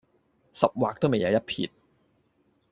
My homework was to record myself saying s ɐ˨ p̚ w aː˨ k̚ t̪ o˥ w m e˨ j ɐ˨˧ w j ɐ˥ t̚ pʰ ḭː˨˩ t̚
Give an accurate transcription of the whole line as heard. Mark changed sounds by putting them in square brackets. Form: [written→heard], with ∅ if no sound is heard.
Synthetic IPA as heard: s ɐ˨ p̚ w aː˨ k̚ t̪ o˥ w m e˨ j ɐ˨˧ w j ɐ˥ t̚ pʰ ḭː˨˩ t̚